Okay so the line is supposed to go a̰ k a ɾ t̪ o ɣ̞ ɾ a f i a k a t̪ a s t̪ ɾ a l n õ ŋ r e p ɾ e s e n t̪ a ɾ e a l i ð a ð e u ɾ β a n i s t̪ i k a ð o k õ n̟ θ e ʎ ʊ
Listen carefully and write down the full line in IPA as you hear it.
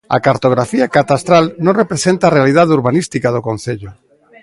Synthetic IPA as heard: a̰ k a ɾ t̪ o ɣ̞ ɾ a f i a k a t̪ a s t̪ ɾ a l n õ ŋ r e p ɾ e s e n t̪ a r e a l i ð a ð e u ɾ β a n i s t̪ i k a ð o k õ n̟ θ e ʎ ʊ